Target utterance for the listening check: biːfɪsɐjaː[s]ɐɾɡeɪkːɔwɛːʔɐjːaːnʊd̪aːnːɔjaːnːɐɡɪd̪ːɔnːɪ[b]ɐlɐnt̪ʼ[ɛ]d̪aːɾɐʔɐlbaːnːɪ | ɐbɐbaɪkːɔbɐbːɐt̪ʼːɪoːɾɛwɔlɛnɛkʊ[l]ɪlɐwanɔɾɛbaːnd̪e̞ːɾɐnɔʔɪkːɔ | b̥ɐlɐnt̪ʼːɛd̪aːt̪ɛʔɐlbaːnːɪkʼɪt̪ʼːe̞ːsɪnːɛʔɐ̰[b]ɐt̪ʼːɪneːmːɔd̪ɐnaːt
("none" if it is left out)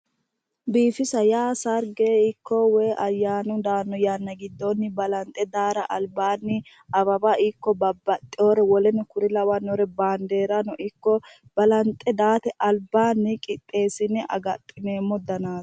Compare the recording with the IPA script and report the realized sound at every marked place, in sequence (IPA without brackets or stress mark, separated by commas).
s, b, ɛ, ɾ, ɡ